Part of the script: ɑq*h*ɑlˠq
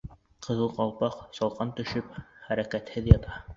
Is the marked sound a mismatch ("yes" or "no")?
yes